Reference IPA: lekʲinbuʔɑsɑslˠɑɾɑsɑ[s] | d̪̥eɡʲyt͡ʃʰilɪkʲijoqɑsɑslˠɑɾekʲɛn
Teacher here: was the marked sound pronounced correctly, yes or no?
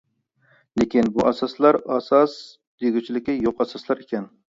yes